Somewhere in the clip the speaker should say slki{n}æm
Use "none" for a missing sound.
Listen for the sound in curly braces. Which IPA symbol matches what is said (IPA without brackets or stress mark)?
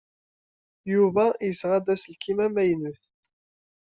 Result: m